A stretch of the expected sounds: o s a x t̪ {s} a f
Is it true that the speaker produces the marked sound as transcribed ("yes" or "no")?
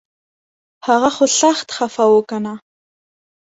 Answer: no